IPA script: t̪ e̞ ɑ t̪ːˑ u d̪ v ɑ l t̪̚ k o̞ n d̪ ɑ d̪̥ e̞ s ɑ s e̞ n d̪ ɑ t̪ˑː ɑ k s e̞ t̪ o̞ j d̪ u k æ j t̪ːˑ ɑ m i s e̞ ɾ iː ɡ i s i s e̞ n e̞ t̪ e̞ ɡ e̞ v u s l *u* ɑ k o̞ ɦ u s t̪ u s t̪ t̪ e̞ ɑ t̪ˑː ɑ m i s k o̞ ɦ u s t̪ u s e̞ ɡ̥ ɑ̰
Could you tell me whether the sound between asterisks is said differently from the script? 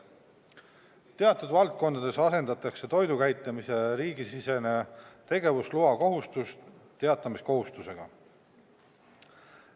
no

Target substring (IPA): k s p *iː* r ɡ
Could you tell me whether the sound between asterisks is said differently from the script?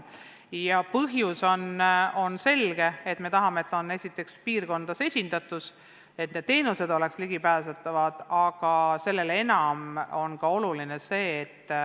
no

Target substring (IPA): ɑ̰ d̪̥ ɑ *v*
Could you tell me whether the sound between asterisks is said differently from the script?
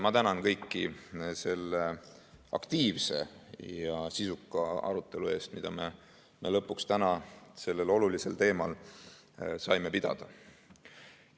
yes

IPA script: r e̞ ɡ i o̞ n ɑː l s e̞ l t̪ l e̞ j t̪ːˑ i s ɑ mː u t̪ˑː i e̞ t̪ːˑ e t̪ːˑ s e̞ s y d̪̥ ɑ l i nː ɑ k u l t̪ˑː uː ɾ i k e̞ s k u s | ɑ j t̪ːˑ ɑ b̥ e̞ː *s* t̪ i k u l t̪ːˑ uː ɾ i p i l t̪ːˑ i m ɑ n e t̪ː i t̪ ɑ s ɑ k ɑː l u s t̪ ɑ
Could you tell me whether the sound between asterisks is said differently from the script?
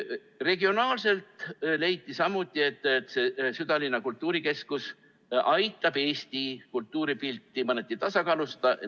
no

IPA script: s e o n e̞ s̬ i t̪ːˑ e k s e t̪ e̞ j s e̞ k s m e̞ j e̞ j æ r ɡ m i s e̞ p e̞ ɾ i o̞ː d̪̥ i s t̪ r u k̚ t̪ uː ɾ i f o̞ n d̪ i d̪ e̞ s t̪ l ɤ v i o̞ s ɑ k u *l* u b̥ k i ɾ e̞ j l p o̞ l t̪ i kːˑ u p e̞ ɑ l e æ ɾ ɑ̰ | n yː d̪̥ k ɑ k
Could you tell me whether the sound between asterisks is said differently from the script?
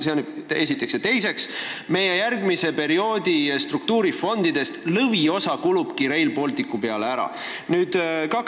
no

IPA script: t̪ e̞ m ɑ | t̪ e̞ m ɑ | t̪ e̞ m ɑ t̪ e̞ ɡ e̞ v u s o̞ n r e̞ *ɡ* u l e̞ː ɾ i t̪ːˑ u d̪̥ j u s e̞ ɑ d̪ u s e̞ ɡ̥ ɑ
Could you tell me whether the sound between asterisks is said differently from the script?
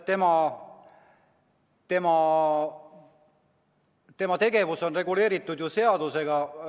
no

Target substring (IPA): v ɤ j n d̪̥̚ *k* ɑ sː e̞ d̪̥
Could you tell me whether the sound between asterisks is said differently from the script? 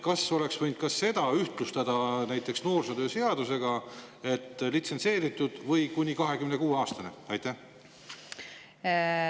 no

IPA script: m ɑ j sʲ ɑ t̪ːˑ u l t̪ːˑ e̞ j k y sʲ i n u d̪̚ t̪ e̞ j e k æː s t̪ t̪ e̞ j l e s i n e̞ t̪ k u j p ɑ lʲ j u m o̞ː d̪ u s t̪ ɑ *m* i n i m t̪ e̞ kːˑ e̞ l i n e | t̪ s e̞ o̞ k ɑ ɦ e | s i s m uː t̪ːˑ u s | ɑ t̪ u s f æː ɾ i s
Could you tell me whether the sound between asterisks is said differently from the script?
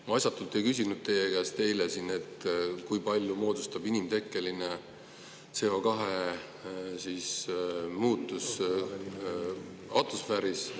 yes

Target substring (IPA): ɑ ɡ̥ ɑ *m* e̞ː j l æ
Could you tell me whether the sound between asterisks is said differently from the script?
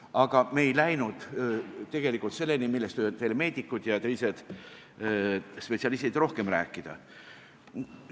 no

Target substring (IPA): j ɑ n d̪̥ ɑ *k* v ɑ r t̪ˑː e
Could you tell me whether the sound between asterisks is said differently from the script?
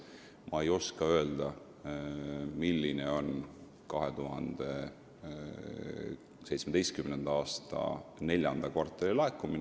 no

